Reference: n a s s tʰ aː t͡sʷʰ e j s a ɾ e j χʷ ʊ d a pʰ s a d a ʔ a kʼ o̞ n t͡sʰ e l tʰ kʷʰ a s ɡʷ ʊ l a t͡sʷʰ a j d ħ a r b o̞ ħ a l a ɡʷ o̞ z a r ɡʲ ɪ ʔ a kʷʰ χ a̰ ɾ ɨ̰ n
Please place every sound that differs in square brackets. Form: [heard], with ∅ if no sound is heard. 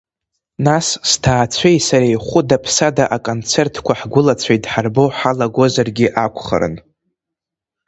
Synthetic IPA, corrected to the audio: n a s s tʰ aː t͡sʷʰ e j s a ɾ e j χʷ ʊ d a pʰ s a d a ʔ a kʼ o̞ n t͡sʰ e [r] tʰ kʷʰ a [ħ] ɡʷ ʊ l a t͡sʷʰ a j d ħ a r b o̞ ħ a l a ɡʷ o̞ z a r ɡʲ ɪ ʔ a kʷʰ χ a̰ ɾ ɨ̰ n